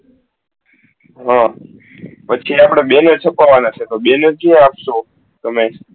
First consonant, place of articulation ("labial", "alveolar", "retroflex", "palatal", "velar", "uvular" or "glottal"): glottal